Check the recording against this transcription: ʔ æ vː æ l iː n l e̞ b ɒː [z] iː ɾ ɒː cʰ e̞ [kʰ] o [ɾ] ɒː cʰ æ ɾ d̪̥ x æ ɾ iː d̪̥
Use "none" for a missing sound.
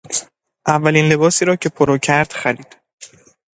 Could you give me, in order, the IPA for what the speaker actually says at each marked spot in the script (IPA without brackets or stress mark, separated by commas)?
s, pʰ, ɾ